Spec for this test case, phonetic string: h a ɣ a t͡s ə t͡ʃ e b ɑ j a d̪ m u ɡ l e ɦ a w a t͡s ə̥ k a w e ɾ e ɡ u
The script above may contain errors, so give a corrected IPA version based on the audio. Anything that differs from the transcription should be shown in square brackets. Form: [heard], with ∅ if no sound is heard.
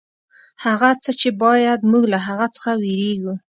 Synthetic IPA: h a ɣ a t͡s ə t͡ʃ e b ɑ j a d̪ m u ɡ l [a] ɦ a [ɣ] a t͡s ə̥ [x] a w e ɾ e ɡ u